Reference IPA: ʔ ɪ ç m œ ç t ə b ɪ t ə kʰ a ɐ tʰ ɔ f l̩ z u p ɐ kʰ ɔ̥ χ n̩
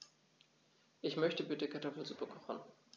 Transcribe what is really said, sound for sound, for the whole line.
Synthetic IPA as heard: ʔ ɪ ç m œ ç t ə b ɪ t ə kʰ a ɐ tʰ ɔ f l̩ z u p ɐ kʰ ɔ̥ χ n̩